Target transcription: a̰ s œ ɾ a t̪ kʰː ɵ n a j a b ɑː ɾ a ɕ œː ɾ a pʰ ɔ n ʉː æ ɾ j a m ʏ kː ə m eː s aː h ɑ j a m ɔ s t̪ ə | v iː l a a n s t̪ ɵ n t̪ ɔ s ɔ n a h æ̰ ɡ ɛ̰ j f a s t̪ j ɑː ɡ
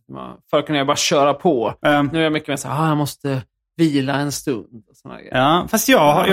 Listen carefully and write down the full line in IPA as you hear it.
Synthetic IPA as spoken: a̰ f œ ɾ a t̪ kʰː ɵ n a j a b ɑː ɾ a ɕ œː ɾ a pʰ ɔ n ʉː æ ɾ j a m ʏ kː ə m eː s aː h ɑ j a m ɔ s t̪ ə | v iː l a ɛ n s t̪ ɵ n d̪ ɔ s ɔ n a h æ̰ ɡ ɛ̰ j f a s t̪ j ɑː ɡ